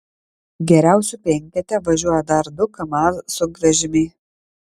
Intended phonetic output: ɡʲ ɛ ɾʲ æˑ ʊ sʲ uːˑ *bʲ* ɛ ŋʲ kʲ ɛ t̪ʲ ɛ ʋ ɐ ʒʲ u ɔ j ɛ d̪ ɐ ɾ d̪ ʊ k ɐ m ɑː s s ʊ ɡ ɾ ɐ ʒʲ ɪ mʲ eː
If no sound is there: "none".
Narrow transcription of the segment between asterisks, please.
pʲ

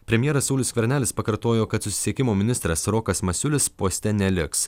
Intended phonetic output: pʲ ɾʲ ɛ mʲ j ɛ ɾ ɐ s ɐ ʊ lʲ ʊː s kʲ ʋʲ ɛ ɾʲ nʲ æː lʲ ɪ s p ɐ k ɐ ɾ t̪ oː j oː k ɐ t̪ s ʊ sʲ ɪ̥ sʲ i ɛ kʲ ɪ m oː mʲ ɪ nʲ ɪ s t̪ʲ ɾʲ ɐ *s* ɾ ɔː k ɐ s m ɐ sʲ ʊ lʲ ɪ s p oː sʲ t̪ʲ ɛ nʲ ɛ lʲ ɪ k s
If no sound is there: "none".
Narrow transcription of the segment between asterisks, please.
s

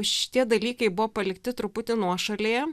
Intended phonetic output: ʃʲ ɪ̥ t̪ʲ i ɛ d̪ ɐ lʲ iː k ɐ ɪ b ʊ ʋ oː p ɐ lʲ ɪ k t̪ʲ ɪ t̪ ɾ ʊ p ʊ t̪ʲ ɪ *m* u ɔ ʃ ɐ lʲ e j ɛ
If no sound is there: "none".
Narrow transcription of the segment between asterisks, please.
n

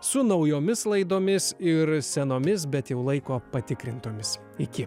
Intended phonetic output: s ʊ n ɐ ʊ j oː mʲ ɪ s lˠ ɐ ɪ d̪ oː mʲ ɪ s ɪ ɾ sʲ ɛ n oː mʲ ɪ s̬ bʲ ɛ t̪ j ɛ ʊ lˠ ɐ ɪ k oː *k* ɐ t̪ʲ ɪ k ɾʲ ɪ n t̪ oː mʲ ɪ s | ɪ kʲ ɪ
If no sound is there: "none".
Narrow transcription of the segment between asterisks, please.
p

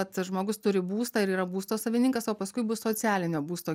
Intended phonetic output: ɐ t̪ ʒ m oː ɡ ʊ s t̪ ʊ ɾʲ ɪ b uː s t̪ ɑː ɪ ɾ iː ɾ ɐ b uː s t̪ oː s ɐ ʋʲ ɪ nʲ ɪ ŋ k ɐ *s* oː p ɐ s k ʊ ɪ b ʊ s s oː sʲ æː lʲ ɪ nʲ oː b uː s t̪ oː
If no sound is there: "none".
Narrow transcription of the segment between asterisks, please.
s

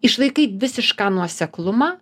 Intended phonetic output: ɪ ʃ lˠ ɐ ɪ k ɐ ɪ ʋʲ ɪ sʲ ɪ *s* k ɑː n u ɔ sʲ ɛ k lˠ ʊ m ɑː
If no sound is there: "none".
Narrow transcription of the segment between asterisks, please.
ʃ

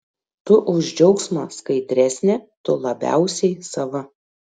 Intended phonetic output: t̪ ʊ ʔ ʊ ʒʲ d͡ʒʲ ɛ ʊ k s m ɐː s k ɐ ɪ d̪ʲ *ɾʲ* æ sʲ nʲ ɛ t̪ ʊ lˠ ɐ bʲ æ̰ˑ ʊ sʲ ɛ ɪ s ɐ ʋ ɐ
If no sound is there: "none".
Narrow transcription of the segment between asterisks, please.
ɾʲ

